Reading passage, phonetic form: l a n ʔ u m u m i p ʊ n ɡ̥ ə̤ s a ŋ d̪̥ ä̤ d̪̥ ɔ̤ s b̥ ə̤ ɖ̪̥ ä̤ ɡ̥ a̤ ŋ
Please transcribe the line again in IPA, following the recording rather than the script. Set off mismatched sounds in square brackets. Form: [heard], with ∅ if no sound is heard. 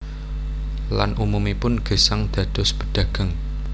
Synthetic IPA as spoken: l a n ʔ u m u m i p ʊ n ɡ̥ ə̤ s a ŋ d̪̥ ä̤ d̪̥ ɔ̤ s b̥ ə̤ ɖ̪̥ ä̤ ɡ̥ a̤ ŋ